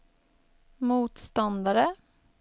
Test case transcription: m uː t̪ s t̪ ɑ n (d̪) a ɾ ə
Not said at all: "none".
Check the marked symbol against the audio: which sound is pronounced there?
d̪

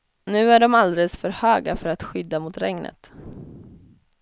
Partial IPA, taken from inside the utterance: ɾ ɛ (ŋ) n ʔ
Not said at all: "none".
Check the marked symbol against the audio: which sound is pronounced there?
ŋ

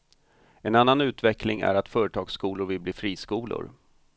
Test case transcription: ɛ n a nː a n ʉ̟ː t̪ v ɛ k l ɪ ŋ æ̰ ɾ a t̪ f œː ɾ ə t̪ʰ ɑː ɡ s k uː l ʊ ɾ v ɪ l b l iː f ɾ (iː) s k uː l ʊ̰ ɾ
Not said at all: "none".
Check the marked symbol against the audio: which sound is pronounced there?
iː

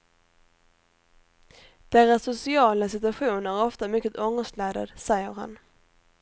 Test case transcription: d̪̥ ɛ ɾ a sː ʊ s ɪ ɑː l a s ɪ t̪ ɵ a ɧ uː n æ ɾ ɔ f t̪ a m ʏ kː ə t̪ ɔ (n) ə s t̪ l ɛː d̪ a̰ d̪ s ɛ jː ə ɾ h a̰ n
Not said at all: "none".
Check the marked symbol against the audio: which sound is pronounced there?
ŋ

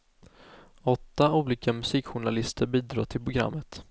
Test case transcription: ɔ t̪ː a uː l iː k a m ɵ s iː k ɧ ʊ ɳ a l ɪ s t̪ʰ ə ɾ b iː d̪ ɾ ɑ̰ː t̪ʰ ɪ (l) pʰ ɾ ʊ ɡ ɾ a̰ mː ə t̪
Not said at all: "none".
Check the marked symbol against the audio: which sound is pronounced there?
l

